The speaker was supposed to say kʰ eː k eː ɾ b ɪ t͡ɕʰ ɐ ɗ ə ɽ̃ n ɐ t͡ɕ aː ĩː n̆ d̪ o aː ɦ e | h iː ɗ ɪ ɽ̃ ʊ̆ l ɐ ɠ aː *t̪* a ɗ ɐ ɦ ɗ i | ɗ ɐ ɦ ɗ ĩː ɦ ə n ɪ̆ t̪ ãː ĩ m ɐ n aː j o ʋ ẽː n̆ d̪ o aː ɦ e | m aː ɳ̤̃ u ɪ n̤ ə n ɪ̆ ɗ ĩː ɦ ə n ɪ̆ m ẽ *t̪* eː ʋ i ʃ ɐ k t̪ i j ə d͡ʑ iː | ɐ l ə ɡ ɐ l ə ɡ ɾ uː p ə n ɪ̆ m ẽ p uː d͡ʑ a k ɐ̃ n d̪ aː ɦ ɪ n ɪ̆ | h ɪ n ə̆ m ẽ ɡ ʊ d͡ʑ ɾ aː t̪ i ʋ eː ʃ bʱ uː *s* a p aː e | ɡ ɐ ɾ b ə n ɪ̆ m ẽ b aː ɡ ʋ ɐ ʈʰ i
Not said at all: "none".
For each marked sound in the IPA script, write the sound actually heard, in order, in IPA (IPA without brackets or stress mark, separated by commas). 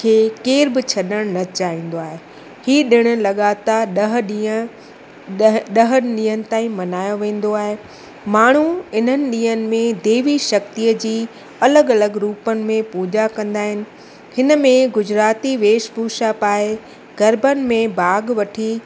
t̪, d̪, ʃ